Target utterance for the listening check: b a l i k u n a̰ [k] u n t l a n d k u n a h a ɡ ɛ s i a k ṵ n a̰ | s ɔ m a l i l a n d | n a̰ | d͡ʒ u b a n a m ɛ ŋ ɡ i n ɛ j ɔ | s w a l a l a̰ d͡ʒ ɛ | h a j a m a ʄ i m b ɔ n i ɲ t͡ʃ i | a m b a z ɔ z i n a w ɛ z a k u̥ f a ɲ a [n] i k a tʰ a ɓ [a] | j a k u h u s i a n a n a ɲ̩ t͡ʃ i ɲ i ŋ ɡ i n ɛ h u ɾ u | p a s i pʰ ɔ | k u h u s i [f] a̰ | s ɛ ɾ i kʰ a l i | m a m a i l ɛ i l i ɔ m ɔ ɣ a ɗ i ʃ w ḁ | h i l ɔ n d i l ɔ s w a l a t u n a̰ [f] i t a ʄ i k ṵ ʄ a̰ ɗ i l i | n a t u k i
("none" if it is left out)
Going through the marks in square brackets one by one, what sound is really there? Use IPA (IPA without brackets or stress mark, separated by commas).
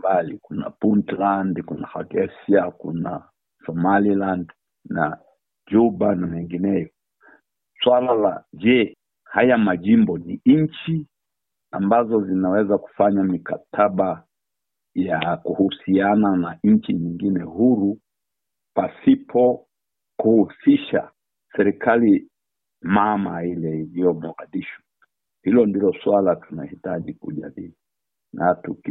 p, m, a, ʃ, h